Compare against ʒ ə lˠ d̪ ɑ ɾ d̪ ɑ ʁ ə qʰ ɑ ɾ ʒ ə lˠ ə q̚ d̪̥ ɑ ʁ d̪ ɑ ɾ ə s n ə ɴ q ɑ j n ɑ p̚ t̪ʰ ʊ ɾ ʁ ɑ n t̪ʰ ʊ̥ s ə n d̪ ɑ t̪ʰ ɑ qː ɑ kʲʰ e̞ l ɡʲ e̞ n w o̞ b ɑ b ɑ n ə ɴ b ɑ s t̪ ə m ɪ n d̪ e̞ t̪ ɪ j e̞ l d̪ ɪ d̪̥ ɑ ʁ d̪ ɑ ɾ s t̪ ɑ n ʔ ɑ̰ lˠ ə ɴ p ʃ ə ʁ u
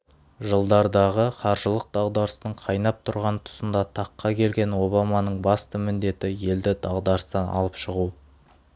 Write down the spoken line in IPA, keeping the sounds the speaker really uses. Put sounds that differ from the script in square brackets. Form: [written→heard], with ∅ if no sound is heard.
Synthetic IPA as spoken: ʒ ə lˠ d̪ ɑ ɾ d̪ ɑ ʁ ə qʰ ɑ ɾ ʒ ə lˠ ə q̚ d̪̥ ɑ ʁ d̪ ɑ ɾ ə s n ə ɴ [q→qʰ] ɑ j n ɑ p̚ t̪ʰ ʊ ɾ ʁ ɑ n t̪ʰ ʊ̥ s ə n d̪ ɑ t̪ʰ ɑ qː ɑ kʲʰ e̞ l ɡʲ e̞ n w o̞ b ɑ [b→m] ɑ n ə ɴ b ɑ s t̪ ə m ɪ n d̪ e̞ t̪ ɪ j e̞ l d̪ ɪ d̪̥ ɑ ʁ d̪ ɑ ɾ s t̪ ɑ n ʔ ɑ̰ lˠ ə [ɴ→∅] p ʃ ə ʁ u

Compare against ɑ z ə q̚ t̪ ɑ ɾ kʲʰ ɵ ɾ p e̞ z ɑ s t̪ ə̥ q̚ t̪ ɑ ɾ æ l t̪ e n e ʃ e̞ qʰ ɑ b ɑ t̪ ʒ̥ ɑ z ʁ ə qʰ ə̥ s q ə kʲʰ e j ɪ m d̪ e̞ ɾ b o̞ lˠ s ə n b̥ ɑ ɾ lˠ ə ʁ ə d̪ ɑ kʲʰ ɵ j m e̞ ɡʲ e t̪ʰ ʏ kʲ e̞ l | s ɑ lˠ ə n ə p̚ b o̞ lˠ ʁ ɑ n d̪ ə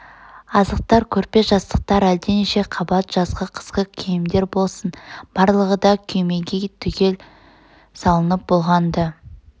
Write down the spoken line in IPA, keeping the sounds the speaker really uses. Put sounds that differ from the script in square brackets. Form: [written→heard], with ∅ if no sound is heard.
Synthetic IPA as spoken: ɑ z ə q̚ t̪ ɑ ɾ kʲʰ ɵ ɾ p e̞ [z→ʒ] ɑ s t̪ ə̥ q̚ t̪ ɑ ɾ æ l [t̪→d̪] e n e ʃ e̞ qʰ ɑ b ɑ t̪ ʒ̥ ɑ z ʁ ə qʰ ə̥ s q ə kʲʰ e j ɪ m d̪ e̞ ɾ b o̞ lˠ s ə n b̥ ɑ ɾ lˠ ə ʁ ə d̪ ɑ kʲʰ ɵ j m e̞ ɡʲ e t̪ʰ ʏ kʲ e̞ l | s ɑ lˠ ə n ə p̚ b o̞ lˠ ʁ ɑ n d̪ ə

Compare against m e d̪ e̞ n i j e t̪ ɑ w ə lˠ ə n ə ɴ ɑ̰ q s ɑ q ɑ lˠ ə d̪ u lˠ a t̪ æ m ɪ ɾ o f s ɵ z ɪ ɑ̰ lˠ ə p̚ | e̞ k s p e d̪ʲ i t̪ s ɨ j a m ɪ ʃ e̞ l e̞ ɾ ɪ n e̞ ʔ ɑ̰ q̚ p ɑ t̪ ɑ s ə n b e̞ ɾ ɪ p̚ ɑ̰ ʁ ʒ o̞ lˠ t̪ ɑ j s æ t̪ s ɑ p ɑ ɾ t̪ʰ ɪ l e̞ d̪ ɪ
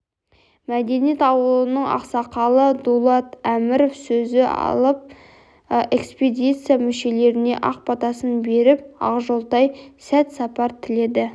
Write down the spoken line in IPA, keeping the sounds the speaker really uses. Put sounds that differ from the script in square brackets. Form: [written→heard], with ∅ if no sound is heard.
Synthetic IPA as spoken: m [e→æ] d̪ e̞ n i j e t̪ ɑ w ə lˠ ə n ə ɴ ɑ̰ q s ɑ q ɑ lˠ ə d̪ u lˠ [a→ɑ] t̪ æ m ɪ ɾ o f s ɵ z ɪ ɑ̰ lˠ ə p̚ | e̞ k s p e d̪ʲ i t̪ s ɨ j a m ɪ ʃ e̞ l e̞ ɾ ɪ n e̞ ʔ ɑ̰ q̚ p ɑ t̪ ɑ s ə n b e̞ ɾ ɪ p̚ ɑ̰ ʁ ʒ o̞ lˠ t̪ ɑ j s æ t̪ s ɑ p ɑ ɾ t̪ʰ ɪ l e̞ d̪ ɪ

